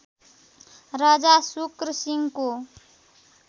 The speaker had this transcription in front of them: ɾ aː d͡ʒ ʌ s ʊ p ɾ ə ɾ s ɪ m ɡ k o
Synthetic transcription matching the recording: ɾ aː d͡ʒ a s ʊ k ɾ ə s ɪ ŋ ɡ k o